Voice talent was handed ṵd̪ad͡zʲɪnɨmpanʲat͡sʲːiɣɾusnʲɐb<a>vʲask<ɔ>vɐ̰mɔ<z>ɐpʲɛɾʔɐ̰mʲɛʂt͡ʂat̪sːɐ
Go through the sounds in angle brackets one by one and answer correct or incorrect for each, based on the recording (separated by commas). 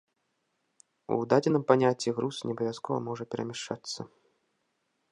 incorrect, correct, incorrect